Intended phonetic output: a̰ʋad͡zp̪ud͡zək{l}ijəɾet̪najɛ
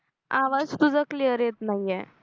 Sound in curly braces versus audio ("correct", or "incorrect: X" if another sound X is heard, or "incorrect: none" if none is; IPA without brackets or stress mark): correct